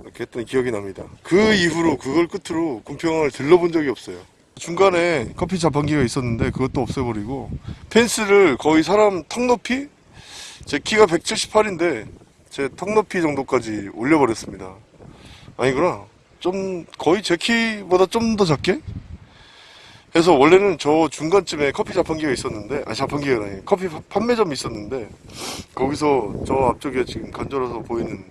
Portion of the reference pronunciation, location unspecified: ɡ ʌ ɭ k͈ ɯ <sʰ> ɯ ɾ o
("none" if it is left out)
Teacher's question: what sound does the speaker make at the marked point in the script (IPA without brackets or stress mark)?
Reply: tʰ